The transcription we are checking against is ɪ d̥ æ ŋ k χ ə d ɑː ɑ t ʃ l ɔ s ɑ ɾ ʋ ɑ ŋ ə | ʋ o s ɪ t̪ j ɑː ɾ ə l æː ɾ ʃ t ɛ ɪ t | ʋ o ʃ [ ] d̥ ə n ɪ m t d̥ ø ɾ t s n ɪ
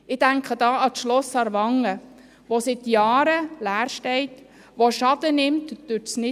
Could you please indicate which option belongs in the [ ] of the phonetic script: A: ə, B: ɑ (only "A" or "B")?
B